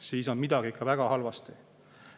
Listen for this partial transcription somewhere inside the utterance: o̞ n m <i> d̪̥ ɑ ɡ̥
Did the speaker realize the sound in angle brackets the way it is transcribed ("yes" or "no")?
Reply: yes